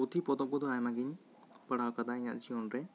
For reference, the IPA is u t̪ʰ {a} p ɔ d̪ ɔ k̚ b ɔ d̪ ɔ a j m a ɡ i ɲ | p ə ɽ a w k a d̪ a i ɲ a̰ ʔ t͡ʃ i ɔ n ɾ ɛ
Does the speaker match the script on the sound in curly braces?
no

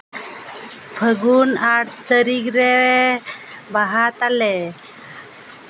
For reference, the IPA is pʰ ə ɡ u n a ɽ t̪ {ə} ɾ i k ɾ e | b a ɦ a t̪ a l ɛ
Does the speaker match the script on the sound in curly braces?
yes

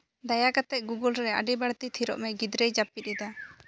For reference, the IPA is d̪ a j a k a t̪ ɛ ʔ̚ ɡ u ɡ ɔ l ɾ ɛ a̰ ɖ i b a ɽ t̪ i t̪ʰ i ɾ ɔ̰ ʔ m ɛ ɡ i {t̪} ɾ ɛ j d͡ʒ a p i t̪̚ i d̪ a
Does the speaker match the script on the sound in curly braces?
no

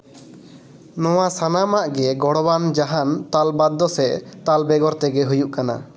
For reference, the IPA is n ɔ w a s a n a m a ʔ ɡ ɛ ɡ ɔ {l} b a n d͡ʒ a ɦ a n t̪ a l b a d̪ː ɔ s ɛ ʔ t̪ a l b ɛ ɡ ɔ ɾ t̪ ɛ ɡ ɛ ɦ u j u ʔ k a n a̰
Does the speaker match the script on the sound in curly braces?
no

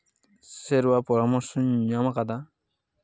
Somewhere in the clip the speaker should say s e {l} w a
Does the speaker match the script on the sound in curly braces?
no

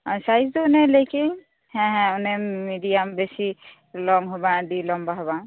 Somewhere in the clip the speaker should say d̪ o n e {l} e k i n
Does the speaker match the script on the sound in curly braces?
yes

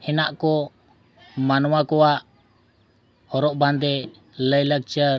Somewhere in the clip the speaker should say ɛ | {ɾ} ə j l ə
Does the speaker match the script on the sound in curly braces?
no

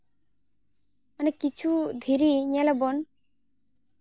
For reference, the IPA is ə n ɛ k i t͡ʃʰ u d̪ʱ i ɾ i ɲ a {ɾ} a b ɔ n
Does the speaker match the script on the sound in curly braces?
no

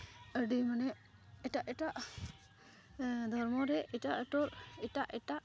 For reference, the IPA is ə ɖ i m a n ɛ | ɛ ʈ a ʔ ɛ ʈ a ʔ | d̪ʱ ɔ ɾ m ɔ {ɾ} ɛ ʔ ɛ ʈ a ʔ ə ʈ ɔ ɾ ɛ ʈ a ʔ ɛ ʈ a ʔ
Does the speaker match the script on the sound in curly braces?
yes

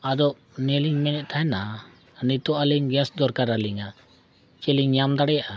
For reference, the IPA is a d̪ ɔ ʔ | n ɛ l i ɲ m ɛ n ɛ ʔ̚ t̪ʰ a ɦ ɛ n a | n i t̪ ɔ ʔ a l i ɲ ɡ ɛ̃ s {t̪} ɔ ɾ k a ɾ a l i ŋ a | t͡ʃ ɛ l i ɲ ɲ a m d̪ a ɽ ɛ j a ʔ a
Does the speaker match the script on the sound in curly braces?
no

